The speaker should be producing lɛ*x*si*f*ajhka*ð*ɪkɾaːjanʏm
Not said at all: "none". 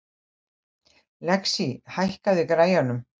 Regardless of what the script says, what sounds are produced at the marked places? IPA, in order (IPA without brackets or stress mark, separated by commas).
k, h, ð